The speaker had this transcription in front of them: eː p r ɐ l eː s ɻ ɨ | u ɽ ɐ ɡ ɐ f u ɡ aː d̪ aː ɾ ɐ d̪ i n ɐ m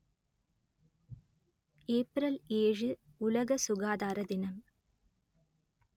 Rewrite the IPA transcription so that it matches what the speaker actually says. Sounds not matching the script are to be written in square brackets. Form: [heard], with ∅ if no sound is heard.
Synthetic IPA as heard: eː p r ɐ l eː [∅] ɻ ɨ | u [l] ɐ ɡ ɐ [s] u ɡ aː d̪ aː ɾ ɐ d̪ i n ɐ m